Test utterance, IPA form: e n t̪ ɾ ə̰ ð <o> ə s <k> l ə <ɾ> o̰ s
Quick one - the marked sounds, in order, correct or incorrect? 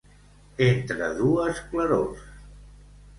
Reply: incorrect, correct, correct

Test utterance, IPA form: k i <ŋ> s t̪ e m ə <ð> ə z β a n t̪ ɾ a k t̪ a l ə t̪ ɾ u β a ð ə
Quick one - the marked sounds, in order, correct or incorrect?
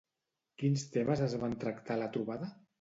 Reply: incorrect, incorrect

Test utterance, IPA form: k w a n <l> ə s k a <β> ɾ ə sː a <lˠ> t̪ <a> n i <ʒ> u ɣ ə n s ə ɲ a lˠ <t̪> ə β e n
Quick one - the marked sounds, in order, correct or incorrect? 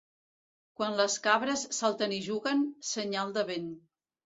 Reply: correct, correct, correct, incorrect, correct, incorrect

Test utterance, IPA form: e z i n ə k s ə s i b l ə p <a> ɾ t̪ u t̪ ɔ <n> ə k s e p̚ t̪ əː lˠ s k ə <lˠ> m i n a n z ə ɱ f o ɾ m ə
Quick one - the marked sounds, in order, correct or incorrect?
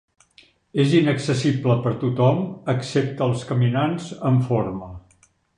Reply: incorrect, incorrect, incorrect

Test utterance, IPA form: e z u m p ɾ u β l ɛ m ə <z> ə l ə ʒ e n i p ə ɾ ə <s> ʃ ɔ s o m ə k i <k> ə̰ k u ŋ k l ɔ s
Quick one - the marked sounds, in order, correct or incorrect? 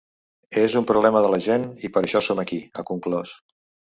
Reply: incorrect, incorrect, incorrect

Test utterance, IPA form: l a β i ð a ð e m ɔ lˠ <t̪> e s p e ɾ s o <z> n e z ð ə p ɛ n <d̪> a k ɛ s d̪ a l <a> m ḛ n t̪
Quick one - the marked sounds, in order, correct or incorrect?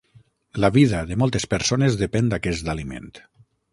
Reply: correct, incorrect, correct, incorrect

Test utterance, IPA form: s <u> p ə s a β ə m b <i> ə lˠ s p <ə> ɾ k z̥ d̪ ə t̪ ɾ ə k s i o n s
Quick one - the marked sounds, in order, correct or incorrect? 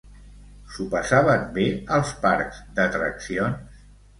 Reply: correct, incorrect, incorrect

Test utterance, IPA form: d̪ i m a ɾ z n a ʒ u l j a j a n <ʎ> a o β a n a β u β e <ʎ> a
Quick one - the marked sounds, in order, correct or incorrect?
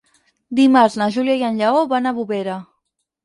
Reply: correct, incorrect

